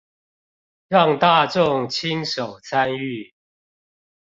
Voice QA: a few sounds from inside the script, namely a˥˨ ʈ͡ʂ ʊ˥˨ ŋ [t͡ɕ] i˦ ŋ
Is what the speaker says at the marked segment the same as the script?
no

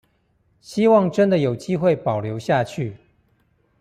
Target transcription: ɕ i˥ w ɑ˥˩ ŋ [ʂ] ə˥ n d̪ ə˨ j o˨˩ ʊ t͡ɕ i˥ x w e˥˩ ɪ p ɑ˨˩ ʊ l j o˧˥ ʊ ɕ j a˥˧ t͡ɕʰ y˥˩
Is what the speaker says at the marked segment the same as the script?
no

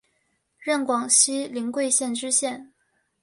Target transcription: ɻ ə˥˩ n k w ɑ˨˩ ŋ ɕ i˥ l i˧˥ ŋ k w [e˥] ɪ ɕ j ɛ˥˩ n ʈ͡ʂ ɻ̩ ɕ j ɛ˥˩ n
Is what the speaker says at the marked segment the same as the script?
no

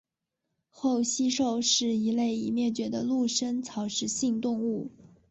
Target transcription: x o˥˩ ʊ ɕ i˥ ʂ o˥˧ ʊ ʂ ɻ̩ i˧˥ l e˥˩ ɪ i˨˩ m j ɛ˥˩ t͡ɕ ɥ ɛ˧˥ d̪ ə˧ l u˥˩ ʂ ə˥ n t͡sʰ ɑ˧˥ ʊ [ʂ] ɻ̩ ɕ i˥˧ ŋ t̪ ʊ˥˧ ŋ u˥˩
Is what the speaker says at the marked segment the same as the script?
yes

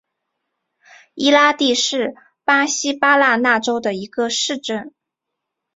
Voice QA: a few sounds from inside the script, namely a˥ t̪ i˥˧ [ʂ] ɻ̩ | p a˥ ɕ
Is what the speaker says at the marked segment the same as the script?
yes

